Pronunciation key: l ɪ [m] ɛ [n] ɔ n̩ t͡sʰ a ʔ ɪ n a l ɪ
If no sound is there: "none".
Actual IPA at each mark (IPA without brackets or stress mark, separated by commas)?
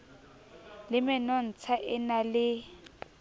m, n